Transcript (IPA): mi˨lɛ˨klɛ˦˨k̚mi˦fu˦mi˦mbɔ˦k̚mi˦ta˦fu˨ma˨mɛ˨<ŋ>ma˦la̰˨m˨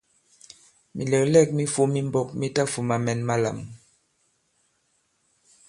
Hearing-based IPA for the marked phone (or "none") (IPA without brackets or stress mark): n